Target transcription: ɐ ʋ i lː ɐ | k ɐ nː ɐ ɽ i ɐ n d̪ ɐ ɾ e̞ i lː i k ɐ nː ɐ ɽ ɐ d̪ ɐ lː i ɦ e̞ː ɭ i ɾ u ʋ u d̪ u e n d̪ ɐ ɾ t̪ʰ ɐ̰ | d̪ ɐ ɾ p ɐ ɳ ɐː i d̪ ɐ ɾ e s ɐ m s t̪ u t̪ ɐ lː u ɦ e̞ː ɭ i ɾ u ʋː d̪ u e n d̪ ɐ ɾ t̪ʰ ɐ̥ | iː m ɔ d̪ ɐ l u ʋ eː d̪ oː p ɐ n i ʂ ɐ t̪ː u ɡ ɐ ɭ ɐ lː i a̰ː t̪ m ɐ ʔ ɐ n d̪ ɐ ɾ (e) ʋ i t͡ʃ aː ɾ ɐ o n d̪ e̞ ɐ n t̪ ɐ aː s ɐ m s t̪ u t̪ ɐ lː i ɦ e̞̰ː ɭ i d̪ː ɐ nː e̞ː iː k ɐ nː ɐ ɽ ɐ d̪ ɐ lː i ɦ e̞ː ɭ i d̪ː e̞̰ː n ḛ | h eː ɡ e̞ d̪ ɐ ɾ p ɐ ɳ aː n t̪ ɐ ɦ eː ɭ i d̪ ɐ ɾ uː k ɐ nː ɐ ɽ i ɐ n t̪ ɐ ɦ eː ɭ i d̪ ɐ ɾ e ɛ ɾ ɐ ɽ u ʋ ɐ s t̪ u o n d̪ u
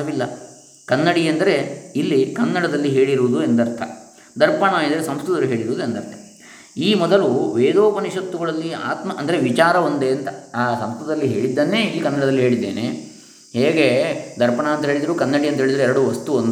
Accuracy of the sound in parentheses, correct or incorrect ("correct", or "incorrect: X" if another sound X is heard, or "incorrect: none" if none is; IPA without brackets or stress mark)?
correct